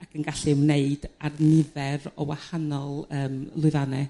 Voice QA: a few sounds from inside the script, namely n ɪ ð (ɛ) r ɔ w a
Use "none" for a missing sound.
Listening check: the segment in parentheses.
ɛ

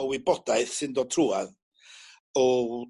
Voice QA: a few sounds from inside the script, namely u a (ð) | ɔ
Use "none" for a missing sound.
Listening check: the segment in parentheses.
ð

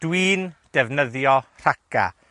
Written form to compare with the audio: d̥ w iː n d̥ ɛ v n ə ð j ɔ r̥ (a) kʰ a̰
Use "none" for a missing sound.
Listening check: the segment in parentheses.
a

